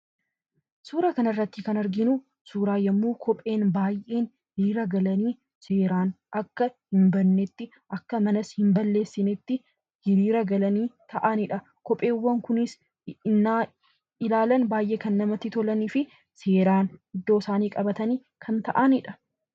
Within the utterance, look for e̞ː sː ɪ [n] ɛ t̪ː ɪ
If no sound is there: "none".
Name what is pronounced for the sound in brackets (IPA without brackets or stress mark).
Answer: n